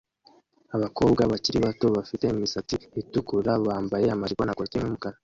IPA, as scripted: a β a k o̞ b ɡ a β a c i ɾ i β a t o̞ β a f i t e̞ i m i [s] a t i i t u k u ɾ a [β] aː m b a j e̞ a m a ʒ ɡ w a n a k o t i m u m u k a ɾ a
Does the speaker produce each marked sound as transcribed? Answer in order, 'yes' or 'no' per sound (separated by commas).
yes, yes